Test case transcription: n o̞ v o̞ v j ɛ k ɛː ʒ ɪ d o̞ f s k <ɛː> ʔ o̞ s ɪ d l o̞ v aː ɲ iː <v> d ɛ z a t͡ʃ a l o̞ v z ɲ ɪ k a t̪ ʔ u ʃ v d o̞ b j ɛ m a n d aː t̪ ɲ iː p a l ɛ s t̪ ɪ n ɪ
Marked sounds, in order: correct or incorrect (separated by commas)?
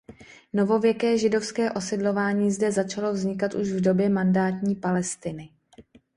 correct, incorrect